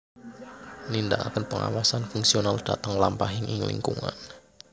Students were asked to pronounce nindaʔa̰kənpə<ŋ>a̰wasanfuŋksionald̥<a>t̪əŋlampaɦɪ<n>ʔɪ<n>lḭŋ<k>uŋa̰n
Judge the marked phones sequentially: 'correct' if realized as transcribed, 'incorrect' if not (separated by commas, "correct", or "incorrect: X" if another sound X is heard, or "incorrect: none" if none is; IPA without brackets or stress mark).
correct, correct, incorrect: ŋ, incorrect: ŋ, correct